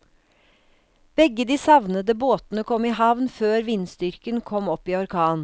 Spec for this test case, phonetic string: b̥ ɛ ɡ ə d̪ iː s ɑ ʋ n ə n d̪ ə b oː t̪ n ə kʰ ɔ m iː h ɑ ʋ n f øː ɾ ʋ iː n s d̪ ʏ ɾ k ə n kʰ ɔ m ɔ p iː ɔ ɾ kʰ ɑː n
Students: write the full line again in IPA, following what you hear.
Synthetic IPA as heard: b̥ ɛ ɡ ə d̪ iː s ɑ ʋ n ə d̪ ə b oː t̪ n ə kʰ ɔ m iː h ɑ ʋ n f øː ɾ ʋ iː n s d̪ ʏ ɾ k ə n kʰ ɔ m ɔ p iː ɔ ɾ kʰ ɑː n